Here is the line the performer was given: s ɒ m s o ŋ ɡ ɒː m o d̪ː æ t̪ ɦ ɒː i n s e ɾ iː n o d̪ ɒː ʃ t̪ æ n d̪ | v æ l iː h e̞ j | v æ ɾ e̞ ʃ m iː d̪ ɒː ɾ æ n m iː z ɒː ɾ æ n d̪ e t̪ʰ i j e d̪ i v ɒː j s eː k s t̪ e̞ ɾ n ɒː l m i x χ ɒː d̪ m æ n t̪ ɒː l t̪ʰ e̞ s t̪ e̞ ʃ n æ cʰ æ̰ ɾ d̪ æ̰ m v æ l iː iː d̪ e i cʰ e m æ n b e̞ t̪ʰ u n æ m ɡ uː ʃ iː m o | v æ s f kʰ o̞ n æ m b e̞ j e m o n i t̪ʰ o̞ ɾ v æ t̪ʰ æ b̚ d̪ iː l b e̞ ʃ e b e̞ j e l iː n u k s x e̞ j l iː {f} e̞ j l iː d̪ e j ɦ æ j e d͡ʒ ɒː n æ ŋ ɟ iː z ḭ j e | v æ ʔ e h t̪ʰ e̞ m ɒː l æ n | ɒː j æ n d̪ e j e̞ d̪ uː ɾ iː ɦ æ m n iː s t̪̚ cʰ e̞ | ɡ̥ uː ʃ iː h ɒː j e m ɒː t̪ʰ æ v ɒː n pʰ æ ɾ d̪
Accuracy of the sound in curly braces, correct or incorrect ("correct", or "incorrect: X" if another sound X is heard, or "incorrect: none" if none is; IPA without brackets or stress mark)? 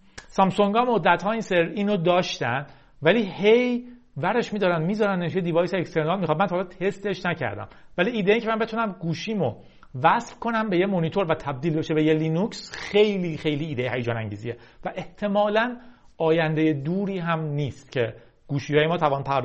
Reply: incorrect: x